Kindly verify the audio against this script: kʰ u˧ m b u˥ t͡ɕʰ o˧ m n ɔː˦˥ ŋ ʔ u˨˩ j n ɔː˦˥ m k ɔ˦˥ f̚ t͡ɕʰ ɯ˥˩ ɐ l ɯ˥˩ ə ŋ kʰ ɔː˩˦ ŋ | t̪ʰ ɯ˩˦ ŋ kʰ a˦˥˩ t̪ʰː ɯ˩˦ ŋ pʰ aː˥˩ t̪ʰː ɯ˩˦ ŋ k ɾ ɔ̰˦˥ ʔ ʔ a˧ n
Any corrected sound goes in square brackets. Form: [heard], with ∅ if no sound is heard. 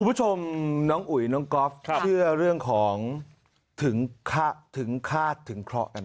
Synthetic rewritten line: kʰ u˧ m b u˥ t͡ɕʰ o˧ m n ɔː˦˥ ŋ ʔ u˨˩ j n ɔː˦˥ [ŋ] k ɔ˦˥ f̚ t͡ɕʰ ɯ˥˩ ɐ [ɾ] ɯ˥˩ ə ŋ kʰ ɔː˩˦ ŋ | t̪ʰ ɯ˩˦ ŋ kʰ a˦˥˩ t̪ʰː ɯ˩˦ ŋ [kʰ] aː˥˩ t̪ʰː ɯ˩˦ ŋ [kʰ] ɾ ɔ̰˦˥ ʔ [k] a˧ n